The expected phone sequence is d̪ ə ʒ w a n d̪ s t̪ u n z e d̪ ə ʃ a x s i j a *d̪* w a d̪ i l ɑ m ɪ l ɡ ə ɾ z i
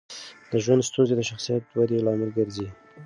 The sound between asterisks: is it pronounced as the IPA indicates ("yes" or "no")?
no